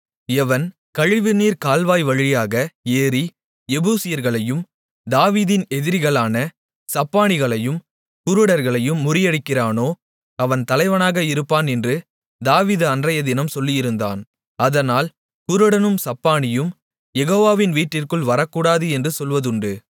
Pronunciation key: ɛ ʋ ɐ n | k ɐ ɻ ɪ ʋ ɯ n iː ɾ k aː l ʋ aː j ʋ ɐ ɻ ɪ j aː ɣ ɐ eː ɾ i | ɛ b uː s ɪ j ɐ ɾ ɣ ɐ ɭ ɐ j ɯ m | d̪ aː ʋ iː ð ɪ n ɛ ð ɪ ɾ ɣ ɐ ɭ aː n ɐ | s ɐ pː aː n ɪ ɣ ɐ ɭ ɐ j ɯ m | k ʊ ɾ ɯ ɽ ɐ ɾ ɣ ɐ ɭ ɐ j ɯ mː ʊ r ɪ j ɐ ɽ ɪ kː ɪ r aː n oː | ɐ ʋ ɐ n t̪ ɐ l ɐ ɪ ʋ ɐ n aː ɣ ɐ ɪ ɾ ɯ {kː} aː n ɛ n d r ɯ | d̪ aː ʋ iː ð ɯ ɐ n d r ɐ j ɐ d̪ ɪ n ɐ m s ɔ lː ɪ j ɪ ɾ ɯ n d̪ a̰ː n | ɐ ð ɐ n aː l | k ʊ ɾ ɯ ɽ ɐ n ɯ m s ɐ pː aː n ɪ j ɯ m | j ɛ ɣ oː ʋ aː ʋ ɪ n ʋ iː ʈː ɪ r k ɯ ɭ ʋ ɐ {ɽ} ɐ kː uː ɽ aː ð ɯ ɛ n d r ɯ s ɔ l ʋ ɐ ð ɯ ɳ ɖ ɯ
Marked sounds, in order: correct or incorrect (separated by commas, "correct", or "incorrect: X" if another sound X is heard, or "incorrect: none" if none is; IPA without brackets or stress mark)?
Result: incorrect: pː, incorrect: ɾ